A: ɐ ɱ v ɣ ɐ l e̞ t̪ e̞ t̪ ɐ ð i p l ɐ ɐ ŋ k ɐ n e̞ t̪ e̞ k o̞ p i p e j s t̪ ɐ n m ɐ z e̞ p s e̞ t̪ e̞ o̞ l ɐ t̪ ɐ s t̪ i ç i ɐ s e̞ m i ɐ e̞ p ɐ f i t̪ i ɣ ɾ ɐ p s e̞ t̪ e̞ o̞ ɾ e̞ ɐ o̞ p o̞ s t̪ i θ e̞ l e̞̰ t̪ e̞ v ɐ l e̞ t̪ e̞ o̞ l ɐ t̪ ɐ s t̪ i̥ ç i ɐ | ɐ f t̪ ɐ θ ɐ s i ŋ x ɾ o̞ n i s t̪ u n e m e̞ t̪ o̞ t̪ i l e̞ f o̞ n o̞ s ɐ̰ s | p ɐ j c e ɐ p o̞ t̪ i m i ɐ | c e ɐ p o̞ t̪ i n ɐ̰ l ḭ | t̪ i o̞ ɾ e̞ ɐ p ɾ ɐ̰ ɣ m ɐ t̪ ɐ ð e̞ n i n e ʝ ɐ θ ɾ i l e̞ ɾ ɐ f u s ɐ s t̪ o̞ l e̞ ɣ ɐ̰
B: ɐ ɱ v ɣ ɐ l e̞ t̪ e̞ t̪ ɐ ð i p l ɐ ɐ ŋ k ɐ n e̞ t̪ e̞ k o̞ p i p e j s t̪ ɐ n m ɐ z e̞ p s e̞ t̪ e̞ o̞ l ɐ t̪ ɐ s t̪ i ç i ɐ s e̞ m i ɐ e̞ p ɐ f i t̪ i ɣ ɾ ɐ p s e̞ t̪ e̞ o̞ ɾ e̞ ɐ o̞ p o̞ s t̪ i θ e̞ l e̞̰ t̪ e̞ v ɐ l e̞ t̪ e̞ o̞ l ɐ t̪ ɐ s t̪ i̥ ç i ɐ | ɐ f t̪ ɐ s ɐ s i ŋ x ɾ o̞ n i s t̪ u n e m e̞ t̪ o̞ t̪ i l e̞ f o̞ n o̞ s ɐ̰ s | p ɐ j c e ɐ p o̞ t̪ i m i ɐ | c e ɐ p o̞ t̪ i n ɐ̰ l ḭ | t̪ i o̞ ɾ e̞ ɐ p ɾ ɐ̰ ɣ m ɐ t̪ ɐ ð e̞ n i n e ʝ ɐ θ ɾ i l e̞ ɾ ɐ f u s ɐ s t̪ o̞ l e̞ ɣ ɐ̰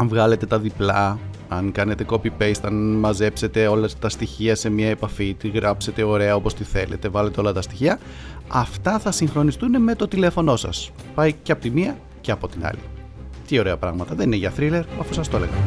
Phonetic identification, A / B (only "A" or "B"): A